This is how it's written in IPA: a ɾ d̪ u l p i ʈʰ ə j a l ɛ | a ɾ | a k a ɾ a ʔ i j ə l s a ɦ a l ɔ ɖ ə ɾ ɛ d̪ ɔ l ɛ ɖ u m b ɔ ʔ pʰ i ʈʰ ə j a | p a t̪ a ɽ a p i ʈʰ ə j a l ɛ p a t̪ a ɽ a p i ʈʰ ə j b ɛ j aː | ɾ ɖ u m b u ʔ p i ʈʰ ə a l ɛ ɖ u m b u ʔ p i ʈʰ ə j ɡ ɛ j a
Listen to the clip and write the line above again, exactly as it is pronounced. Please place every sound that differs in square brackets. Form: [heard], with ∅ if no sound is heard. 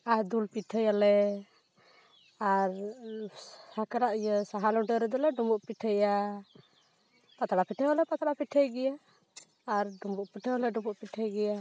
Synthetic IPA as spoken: a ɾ d̪ u l p i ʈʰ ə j a l ɛ | a ɾ | a k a ɾ a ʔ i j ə [∅] s a ɦ a l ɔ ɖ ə ɾ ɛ d̪ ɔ l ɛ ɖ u m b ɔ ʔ [p] i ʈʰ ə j a | p a t̪ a ɽ a p i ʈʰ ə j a l ɛ p a t̪ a ɽ a p i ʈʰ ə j [ɡ] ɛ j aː | ɾ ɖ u m b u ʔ p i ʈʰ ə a l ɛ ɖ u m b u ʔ p i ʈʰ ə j ɡ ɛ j a